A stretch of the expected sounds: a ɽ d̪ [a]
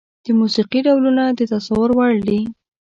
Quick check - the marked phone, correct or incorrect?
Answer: incorrect